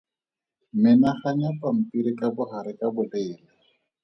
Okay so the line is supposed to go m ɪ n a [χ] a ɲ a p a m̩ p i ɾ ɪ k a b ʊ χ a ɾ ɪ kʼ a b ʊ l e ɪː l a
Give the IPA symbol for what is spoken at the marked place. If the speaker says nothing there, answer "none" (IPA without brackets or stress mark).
χ